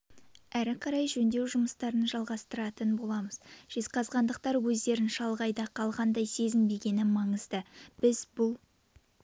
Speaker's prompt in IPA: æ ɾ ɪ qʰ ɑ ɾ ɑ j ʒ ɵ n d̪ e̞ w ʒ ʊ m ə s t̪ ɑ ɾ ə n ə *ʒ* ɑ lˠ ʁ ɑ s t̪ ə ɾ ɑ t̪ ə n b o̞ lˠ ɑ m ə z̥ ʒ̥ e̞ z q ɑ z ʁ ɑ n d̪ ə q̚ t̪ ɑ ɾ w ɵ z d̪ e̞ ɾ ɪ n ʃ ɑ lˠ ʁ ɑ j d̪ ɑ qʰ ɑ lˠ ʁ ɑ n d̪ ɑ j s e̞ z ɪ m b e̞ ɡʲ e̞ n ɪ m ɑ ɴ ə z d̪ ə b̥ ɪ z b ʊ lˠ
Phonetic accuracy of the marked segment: correct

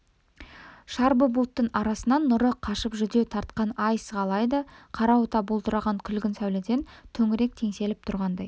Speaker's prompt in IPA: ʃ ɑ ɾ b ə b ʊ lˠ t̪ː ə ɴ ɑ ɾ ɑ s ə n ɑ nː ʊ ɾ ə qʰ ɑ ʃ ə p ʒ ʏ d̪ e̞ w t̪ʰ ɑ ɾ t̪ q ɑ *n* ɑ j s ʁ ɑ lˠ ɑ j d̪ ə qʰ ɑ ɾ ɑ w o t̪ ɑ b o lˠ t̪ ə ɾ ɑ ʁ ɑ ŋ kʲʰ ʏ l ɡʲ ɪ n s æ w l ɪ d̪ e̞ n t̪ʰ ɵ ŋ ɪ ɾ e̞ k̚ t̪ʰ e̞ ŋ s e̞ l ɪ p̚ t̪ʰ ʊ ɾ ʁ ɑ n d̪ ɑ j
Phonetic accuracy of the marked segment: correct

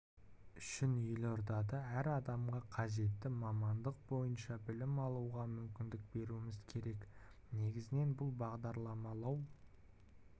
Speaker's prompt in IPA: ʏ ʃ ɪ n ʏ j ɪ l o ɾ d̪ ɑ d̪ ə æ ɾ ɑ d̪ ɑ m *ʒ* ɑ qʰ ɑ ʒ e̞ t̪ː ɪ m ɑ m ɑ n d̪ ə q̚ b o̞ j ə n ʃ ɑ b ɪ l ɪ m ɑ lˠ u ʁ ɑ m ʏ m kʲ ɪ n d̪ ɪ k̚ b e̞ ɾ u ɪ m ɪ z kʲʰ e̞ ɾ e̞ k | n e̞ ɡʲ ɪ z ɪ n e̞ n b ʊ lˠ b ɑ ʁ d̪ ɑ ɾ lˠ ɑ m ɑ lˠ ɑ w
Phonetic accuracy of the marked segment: incorrect: ʁ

